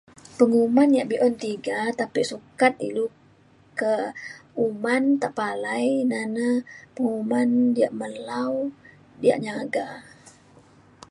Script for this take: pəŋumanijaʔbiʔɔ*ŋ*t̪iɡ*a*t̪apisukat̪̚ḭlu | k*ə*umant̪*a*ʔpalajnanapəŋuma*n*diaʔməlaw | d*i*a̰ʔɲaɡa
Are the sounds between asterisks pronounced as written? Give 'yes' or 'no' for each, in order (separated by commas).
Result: no, yes, yes, yes, yes, yes